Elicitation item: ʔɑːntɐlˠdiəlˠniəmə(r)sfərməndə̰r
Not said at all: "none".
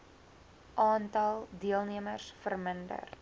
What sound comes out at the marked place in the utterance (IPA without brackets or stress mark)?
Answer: r